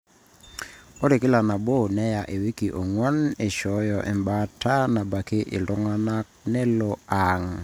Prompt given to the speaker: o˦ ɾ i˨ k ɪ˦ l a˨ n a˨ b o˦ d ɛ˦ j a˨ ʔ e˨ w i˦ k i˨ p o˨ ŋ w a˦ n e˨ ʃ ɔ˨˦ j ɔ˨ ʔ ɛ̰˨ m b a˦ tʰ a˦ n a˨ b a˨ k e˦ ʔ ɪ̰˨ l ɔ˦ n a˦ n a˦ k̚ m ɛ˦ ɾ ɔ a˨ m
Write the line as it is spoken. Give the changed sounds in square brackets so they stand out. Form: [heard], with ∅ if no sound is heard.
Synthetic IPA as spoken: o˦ ɾ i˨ k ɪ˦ l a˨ n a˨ b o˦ [n] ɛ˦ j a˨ ʔ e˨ w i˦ k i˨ [ʔ] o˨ ŋ w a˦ n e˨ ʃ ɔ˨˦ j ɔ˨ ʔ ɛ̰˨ m b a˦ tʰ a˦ n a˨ b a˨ k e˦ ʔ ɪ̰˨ l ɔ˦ [ŋ] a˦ n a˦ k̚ [n] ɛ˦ [l] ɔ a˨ [ŋ]